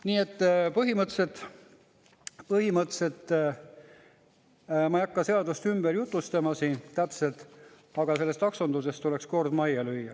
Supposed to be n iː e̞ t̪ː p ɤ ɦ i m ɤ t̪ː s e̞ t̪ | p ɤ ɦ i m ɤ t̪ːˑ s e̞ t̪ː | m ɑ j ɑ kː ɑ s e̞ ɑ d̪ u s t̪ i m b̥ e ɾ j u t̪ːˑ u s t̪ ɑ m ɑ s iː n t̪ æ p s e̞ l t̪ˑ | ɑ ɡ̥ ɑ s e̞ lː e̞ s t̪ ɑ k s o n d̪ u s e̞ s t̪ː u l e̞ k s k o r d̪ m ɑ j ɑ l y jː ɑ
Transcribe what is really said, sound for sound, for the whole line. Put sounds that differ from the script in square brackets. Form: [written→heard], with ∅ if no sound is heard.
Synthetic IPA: n iː e̞ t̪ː p ɤ ɦ i m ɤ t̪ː s e̞ t̪ | p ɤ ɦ i m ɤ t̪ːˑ s e̞ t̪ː | m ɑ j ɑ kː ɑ s e̞ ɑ d̪ u s t̪ [i→y] m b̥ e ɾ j u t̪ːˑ u s t̪ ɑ m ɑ s iː n t̪ æ p s e̞ l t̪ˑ | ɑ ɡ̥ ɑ s e̞ lː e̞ s t̪ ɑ k s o n d̪ u s e̞ s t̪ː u l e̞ k s k o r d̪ m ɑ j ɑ l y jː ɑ